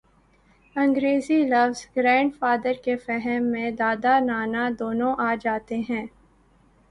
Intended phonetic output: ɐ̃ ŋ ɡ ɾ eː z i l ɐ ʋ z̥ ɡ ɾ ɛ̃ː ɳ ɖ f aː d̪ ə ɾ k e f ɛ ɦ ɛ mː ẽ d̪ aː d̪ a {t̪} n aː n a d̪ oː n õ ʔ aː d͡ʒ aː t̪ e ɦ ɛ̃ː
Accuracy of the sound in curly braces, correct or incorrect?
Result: incorrect